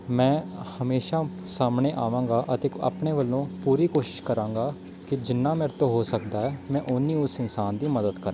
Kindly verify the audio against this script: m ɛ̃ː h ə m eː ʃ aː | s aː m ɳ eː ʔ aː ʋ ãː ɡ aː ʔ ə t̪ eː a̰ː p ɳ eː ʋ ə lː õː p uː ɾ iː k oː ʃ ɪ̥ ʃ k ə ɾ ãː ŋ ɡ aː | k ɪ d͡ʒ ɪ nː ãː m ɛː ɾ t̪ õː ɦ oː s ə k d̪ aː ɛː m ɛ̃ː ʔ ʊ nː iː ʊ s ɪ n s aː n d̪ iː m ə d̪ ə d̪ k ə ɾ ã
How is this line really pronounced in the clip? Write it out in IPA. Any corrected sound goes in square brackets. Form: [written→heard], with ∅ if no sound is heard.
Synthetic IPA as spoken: m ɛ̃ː h ə m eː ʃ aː | s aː m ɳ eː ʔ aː ʋ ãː ɡ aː ʔ ə t̪ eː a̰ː p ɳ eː ʋ ə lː õː p uː ɾ iː k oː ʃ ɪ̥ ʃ k ə ɾ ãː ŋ ɡ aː | k ɪ d͡ʒ ɪ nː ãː m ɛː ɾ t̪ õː ɦ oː s ə k d̪ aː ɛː m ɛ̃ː ʔ ʊ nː iː ʊ s ɪ n s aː n d̪ iː m ə d̪ ə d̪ k ə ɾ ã